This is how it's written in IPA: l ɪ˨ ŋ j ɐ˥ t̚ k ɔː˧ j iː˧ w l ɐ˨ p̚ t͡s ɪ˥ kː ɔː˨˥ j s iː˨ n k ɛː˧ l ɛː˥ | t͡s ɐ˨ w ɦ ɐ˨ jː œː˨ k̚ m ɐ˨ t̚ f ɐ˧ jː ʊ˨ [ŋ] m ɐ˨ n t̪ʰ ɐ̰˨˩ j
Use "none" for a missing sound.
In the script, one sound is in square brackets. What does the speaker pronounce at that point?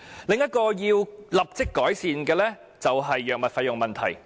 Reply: ŋ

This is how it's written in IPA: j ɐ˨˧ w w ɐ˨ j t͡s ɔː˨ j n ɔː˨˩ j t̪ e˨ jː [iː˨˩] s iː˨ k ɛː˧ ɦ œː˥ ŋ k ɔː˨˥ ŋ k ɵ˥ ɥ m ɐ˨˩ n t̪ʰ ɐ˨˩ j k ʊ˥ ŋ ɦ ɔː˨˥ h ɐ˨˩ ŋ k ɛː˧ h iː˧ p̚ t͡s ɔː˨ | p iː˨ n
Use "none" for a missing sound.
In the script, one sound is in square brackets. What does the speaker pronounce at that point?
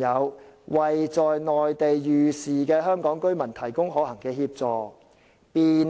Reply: yː˨˩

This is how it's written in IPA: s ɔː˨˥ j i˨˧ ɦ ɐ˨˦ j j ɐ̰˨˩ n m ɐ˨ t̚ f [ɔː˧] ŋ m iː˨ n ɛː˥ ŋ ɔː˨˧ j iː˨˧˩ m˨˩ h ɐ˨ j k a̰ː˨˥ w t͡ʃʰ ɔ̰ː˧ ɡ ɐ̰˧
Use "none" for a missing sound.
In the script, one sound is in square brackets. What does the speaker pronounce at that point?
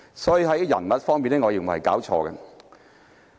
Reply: ɔː˥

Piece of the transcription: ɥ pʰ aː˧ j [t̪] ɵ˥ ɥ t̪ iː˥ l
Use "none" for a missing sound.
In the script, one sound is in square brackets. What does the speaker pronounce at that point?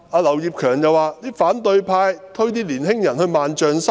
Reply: t̪ʰ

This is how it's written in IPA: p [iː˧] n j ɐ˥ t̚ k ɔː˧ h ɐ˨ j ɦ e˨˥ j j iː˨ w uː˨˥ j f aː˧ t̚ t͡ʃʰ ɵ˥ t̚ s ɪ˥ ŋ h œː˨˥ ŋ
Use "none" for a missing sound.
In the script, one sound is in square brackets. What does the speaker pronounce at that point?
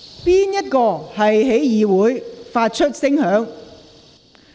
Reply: iː˥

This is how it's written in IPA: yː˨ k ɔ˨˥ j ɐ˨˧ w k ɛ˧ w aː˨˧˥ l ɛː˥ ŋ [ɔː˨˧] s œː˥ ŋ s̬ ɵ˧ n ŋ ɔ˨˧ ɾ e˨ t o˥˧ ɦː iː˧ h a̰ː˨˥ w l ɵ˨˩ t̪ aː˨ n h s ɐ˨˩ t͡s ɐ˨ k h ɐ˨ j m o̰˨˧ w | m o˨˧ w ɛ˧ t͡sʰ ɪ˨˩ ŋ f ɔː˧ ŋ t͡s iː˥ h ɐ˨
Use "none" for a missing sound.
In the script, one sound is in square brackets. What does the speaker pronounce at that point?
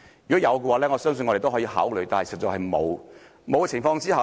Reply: ɔ˨˧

